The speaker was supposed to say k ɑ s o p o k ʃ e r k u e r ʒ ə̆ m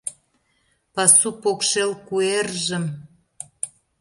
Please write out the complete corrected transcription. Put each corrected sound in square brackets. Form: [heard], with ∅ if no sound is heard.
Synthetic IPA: [p] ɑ s [u] p o k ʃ e [l] k u e r ʒ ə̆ m